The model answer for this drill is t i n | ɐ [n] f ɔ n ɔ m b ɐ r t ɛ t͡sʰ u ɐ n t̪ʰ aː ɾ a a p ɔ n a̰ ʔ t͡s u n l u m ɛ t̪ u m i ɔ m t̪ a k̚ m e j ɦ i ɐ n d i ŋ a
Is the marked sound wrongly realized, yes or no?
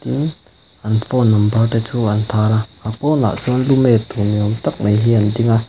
no